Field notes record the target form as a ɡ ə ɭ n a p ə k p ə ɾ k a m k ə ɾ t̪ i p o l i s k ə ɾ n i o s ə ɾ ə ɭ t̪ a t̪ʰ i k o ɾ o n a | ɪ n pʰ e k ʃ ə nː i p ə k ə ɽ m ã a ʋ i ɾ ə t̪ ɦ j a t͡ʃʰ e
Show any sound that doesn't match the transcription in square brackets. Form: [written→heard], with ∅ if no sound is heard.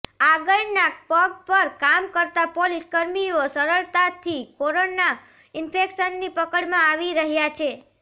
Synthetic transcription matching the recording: a ɡ ə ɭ n a p ə [k→ɡ] p ə ɾ k a m k ə ɾ t̪ [i→a] p o l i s k ə ɾ [n→m] i o s ə ɾ ə ɭ t̪ a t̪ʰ i k o ɾ o n a | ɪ n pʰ e k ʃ ə nː i p ə k ə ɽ m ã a ʋ i ɾ ə [t̪→∅] ɦ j a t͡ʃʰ e